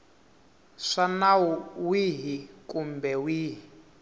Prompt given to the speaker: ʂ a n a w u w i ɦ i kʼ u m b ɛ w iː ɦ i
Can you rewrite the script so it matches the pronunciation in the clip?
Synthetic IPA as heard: ʂ a n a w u w i ɦ i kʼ u m b ɛ w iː ɦ i